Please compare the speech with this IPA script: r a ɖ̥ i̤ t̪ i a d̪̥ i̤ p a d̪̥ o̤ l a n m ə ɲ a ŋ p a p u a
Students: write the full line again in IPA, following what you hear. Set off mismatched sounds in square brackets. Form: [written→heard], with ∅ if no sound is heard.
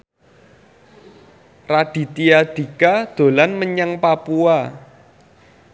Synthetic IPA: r a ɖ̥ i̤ t̪ i a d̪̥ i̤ [p→k] a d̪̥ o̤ l a n m ə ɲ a ŋ p a p u a